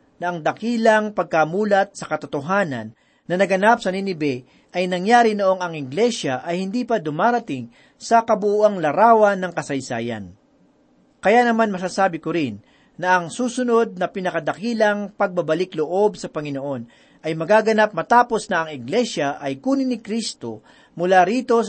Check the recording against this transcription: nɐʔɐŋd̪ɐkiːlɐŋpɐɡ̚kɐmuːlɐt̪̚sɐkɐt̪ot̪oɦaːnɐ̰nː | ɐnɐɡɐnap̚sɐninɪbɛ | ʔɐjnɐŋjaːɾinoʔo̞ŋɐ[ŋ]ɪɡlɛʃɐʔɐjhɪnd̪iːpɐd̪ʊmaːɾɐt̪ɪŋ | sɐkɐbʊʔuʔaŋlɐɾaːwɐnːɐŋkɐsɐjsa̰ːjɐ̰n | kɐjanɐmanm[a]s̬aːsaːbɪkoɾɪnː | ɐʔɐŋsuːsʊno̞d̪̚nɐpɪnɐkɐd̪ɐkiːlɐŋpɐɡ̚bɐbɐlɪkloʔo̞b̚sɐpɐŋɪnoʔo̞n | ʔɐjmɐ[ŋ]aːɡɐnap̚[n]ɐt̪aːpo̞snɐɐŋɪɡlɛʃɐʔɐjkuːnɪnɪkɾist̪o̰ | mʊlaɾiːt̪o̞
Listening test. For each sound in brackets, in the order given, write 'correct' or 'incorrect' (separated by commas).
correct, incorrect, incorrect, incorrect